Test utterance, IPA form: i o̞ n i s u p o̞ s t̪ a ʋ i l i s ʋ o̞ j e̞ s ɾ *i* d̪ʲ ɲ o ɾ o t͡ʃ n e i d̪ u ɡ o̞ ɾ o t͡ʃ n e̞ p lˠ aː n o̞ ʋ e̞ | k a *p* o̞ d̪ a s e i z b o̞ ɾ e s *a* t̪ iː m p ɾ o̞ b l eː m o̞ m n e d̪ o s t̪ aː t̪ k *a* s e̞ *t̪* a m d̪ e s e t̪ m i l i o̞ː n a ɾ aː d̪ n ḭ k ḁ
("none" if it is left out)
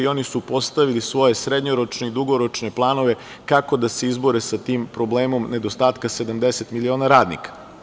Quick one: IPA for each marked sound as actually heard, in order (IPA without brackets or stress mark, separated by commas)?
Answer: e, k, a, a, d̪